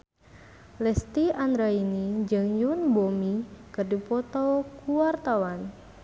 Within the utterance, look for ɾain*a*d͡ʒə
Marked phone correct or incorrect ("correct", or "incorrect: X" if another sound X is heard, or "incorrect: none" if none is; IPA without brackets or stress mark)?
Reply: incorrect: i